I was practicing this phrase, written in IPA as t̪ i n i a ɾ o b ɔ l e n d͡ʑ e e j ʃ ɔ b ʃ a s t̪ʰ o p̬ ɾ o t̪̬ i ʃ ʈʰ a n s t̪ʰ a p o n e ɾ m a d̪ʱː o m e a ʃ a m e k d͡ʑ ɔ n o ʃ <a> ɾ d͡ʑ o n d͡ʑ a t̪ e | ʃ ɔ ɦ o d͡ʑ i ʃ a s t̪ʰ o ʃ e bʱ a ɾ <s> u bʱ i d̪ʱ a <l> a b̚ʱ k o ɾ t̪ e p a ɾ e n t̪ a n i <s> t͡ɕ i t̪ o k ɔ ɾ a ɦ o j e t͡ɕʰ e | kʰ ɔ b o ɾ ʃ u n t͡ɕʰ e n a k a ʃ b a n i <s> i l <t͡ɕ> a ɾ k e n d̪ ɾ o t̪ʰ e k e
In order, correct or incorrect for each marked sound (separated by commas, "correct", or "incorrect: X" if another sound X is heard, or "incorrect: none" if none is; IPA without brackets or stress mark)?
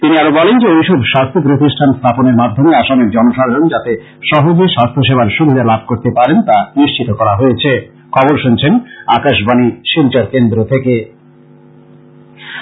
correct, incorrect: ʃ, correct, incorrect: ʃ, incorrect: ʃ, correct